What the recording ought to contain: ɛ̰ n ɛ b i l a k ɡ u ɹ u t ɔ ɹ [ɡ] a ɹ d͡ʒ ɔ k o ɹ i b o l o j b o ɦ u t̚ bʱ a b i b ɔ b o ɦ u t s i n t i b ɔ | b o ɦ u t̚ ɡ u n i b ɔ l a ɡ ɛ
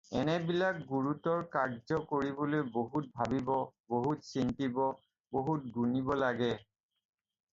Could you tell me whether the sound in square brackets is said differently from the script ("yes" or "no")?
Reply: yes